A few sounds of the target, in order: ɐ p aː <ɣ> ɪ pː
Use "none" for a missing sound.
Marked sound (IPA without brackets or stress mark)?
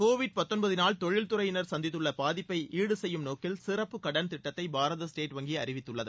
ð